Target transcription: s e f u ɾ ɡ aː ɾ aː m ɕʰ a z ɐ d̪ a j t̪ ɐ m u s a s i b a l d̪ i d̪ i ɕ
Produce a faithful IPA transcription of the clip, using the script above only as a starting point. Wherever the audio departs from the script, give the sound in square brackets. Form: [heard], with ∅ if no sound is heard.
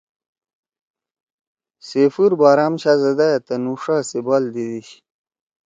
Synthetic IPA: s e f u ɾ [b] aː ɾ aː m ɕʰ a z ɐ d̪ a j t̪ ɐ [n] u [ʂ] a s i b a l d̪ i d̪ i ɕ